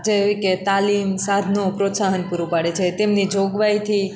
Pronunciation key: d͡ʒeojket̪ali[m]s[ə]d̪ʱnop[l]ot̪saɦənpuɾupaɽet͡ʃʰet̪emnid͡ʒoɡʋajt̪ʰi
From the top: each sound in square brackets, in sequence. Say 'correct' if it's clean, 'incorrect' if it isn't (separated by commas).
correct, incorrect, incorrect